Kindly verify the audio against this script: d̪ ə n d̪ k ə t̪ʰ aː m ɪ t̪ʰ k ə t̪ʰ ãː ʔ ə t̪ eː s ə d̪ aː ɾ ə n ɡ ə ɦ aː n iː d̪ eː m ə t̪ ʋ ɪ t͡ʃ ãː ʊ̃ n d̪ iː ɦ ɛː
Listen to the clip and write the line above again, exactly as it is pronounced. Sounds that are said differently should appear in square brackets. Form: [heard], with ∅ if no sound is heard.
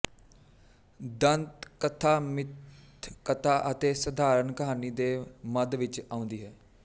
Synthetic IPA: d̪ ə n [t̪] k ə t̪ʰ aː m ɪ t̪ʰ k ə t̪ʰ [aː] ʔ ə t̪ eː s ə d̪ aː ɾ ə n [k] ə ɦ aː n iː d̪ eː m ə [d̪] ʋ ɪ t͡ʃ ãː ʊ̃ n d̪ iː ɦ ɛː

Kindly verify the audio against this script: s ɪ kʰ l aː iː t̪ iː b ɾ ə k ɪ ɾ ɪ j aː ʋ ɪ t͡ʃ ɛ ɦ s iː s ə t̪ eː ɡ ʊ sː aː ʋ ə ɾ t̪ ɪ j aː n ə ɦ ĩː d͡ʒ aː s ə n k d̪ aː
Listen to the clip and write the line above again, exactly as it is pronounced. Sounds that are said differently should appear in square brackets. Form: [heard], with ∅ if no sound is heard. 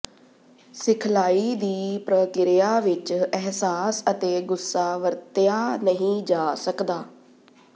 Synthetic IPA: s ɪ kʰ l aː iː [d̪] iː [p] ɾ ə k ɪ ɾ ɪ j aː ʋ ɪ t͡ʃ ɛ ɦ s [aː] s ə t̪ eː ɡ ʊ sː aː ʋ ə ɾ t̪ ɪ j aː n ə ɦ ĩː d͡ʒ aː s ə [∅] k d̪ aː

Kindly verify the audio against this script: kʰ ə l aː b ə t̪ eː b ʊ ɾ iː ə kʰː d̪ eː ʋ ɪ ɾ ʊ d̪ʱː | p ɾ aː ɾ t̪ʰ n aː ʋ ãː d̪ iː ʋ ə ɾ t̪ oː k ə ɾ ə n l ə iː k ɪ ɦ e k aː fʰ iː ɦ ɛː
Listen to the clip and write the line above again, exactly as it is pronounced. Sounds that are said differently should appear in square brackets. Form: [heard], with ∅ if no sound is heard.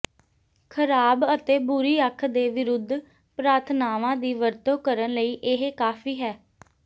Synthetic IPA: kʰ ə [ɾ] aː b ə t̪ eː b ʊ ɾ iː ə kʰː d̪ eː ʋ ɪ ɾ ʊ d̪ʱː | p ɾ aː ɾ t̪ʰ n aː ʋ ãː d̪ iː ʋ ə ɾ t̪ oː k ə ɾ ə n l ə iː [ʔ] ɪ ɦ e k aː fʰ iː ɦ ɛː

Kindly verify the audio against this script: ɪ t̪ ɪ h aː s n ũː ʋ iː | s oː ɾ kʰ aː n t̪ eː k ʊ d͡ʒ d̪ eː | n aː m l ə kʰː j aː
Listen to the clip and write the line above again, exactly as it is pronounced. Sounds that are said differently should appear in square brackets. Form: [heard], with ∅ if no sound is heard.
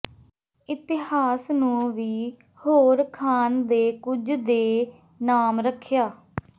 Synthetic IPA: ɪ t̪ ɪ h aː s n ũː ʋ iː | [h] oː ɾ kʰ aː n [d̪] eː k ʊ d͡ʒ d̪ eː | n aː m [ɾ] ə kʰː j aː

